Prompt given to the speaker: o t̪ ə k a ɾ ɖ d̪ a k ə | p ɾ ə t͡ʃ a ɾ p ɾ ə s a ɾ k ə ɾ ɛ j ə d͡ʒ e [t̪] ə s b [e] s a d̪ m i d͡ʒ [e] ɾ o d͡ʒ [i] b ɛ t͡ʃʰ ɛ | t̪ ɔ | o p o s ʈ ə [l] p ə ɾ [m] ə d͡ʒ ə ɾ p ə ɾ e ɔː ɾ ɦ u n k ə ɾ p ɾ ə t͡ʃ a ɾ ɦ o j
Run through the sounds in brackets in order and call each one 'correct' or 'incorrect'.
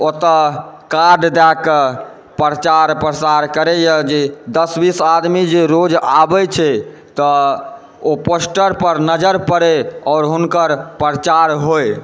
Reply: incorrect: d̪, incorrect: i, correct, incorrect: a, incorrect: ɾ, incorrect: n

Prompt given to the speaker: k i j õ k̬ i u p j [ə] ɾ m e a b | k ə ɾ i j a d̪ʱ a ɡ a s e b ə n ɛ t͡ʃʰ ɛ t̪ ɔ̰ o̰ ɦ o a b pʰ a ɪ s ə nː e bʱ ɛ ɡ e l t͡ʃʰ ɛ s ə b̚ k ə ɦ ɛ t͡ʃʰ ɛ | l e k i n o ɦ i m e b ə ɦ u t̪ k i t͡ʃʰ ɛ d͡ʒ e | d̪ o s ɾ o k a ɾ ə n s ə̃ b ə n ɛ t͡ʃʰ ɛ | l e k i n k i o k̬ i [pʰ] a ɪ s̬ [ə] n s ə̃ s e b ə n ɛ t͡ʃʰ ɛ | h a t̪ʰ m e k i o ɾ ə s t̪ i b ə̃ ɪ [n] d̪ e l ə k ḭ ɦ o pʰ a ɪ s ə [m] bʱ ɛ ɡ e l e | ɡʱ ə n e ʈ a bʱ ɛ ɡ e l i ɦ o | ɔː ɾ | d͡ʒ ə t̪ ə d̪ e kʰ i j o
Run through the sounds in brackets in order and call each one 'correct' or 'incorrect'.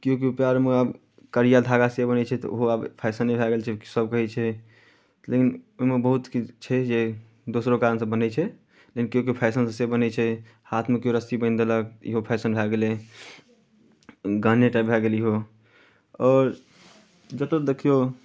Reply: incorrect: a, correct, correct, correct, incorrect: n

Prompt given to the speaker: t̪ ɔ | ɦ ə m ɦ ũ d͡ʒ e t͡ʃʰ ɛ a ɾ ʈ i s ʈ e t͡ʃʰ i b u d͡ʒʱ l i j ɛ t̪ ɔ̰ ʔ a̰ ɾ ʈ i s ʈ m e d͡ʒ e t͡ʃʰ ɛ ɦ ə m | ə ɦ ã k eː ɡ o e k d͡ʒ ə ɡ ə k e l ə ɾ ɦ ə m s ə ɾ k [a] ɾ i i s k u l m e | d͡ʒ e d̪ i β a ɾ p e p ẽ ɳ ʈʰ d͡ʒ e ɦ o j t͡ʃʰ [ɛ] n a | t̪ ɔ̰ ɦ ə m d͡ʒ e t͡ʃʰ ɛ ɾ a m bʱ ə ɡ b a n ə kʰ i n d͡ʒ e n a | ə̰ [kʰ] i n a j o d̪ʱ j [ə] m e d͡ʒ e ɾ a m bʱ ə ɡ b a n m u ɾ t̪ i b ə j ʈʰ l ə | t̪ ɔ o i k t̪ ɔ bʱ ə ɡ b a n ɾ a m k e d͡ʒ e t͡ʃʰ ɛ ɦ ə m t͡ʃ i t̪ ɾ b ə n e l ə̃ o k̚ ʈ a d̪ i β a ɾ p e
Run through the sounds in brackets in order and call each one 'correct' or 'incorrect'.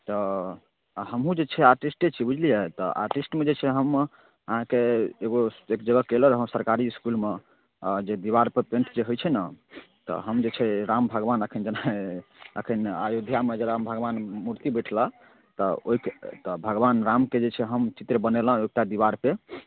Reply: correct, correct, correct, incorrect: a

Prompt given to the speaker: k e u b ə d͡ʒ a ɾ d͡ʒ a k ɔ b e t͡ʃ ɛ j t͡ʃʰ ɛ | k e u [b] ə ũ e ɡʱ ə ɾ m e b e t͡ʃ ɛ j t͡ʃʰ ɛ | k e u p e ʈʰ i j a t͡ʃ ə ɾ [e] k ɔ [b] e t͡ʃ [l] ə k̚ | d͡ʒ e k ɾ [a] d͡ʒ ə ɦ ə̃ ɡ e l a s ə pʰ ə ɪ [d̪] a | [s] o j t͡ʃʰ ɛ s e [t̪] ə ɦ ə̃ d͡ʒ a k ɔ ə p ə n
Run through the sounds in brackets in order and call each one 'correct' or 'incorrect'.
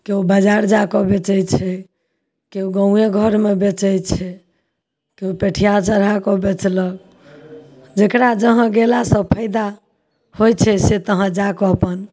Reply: incorrect: ɡ, incorrect: a, correct, correct, correct, correct, incorrect: h, correct

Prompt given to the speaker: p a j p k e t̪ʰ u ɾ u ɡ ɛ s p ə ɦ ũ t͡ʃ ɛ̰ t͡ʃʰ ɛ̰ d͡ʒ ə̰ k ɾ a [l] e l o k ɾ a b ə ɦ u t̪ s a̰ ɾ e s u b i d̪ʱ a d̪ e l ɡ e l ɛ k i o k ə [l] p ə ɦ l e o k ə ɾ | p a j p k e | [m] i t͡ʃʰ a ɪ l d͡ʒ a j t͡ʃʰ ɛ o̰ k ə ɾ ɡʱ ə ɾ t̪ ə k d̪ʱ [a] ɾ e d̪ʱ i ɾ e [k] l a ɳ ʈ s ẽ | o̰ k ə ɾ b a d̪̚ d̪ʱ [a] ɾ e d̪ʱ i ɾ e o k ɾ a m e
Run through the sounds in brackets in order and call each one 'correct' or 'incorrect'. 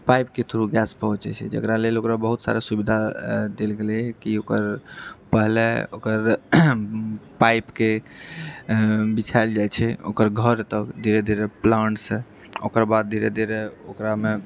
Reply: correct, incorrect: ɾ, incorrect: b, incorrect: i, incorrect: p, incorrect: i

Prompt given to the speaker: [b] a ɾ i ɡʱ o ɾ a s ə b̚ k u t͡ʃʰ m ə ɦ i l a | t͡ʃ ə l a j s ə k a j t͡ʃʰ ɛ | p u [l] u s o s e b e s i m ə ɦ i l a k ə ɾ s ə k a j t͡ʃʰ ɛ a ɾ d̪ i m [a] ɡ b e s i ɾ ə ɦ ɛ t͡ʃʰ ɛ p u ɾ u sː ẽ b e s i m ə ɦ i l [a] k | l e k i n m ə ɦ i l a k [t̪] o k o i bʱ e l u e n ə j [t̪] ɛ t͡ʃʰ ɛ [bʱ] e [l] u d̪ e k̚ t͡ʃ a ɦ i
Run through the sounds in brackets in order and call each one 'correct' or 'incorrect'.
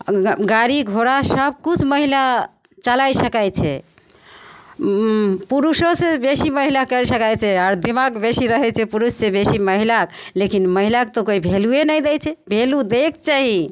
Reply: incorrect: ɡ, incorrect: ɾ, correct, correct, correct, incorrect: d̪, correct, correct

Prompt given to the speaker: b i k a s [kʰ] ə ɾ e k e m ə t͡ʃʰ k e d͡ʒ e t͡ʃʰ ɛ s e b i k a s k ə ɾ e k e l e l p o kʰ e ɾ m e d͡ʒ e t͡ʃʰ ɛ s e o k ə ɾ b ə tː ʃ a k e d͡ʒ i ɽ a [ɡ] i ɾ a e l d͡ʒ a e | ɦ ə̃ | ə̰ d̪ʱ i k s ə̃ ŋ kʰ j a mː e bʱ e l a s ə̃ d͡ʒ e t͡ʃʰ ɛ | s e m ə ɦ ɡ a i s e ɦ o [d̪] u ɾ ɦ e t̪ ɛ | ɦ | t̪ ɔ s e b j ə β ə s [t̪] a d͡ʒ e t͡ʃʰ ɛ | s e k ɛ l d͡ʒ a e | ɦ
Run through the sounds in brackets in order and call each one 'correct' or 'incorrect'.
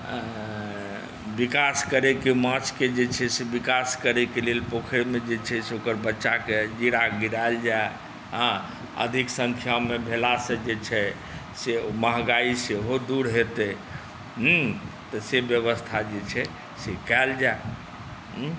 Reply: incorrect: k, correct, correct, incorrect: t̪ʰ

